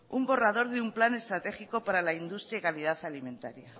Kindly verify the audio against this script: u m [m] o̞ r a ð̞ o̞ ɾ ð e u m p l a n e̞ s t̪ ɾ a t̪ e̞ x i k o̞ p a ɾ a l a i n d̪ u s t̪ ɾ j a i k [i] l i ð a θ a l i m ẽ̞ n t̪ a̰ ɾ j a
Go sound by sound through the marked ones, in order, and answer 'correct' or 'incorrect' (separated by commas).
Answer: incorrect, incorrect